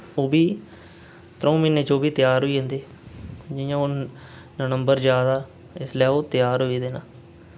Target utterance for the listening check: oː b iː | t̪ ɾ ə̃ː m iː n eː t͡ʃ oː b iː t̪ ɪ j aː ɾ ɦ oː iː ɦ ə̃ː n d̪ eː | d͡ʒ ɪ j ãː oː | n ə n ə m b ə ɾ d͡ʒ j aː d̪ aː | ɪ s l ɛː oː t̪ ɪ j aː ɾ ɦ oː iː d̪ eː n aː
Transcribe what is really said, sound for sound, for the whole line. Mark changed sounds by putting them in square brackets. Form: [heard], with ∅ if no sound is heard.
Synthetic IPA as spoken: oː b iː | t̪ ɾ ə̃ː m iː n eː t͡ʃ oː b iː t̪ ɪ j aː ɾ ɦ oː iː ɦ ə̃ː n d̪ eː | d͡ʒ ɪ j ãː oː | n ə n ə m b ə ɾ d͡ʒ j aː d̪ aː | ɪ s l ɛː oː t̪ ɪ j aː ɾ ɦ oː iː d̪ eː n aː

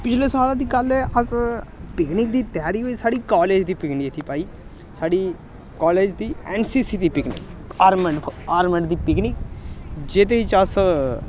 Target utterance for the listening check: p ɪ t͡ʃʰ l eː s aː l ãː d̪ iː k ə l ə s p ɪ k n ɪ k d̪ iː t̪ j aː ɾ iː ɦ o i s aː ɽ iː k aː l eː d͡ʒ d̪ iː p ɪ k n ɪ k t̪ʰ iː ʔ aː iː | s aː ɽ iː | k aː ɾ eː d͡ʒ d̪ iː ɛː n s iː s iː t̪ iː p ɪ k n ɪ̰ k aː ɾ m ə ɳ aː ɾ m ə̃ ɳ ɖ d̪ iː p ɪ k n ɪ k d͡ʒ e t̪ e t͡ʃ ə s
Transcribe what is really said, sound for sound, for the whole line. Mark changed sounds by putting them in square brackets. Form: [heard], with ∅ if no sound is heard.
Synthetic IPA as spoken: p ɪ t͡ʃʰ l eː s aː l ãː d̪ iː k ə l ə s p ɪ k n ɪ k d̪ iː t̪ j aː ɾ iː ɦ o i s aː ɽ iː k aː l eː d͡ʒ d̪ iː p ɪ k n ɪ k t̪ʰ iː [p] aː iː | s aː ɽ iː | k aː [l] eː d͡ʒ d̪ iː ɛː n s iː s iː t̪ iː p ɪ k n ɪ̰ k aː ɾ m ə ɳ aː ɾ m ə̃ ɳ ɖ d̪ iː p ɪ k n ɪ k d͡ʒ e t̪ e t͡ʃ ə s

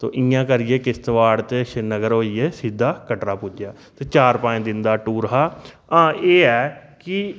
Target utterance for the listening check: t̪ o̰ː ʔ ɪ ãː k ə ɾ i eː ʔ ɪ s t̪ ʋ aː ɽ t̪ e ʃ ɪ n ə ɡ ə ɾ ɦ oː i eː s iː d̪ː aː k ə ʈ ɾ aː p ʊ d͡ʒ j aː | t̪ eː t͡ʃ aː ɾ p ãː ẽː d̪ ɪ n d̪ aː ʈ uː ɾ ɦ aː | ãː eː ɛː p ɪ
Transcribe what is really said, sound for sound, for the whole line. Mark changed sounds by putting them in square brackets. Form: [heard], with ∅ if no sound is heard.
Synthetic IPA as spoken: t̪ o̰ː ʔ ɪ ãː k ə ɾ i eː [k] ɪ s t̪ ʋ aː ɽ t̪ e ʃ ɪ n ə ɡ ə ɾ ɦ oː i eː s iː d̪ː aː k ə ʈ ɾ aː p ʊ d͡ʒ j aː | t̪ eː t͡ʃ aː ɾ p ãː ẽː d̪ ɪ n d̪ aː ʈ uː ɾ ɦ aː | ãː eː ɛː [k] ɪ

